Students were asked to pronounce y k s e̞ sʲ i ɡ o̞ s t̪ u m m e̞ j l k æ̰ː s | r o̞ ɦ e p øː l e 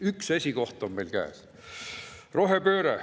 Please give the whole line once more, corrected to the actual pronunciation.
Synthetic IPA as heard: y k s e̞ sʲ i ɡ o̞ h t̪ o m m e̞ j l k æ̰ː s | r o̞ ɦ e p øː ɾ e